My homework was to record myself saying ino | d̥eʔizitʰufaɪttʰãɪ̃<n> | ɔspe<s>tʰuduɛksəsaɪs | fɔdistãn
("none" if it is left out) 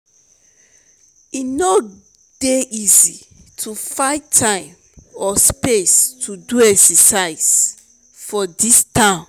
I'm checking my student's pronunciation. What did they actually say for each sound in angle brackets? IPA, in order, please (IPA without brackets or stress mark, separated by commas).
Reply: m, s